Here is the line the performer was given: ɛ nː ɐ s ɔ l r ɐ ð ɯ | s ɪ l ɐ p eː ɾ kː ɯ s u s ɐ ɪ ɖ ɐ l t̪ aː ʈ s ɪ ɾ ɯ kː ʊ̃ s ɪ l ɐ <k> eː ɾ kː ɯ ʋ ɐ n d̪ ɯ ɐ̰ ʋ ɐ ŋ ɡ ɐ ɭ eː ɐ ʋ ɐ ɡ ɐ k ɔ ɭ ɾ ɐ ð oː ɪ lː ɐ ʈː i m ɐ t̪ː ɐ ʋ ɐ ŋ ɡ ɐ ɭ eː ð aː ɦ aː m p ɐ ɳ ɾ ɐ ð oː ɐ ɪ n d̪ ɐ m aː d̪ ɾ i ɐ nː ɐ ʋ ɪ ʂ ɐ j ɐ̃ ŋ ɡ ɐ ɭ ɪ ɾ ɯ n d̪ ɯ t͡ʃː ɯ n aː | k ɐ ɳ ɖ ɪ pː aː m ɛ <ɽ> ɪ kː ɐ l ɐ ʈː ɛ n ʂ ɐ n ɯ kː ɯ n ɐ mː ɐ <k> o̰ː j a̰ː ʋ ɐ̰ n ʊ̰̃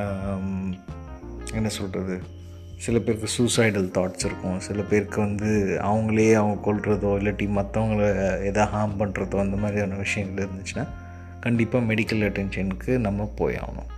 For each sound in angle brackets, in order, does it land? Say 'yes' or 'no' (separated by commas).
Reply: no, yes, no